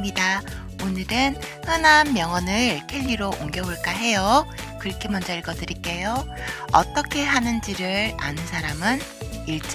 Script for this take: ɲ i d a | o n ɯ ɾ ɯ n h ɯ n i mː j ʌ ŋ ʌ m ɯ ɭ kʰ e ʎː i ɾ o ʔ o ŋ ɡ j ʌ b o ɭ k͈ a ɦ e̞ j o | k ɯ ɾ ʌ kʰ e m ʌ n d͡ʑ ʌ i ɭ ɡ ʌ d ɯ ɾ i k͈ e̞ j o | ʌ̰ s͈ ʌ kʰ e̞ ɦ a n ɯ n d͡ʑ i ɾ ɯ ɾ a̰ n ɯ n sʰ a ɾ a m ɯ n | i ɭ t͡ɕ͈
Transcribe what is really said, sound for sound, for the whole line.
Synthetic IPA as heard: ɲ i d a | o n ɯ ɾ ɯ n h ɯ n a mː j ʌ ŋ ʌ n ɯ ɭ kʰ e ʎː i ɾ o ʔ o ŋ ɡ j ʌ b o ɭ k͈ a ɦ e̞ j o | k ɯ ɾ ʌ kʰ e m ʌ n d͡ʑ ʌ i ɭ ɡ ʌ d ɯ ɾ i k͈ e̞ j o | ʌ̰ t͈ ʌ kʰ e̞ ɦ a n ɯ n d͡ʑ i ɾ ɯ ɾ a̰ n ɯ n sʰ a ɾ a m ɯ n | i ɭ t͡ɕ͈